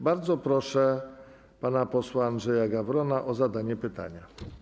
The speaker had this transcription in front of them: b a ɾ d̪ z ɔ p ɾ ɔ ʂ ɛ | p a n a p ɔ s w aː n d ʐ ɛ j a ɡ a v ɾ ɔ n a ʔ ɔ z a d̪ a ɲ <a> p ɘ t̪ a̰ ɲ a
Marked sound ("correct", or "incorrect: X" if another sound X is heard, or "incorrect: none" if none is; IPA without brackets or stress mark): incorrect: ɛ